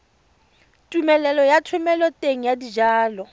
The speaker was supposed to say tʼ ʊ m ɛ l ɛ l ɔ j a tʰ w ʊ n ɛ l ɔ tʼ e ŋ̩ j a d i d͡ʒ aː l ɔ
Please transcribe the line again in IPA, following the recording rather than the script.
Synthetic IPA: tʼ u m ɛ l ɛ l ɔ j a tʰ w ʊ m ɛ l ɔ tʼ e ŋ̩ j a d i d͡ʒ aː l ɔ